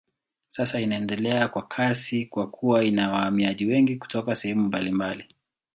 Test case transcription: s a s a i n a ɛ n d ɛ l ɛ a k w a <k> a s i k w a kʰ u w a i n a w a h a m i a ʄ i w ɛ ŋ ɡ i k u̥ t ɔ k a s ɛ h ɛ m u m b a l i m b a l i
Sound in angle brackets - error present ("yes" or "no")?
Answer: yes